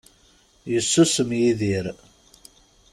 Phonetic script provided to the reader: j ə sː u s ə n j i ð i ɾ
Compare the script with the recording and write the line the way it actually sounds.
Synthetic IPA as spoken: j ə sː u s ə m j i ð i ɾ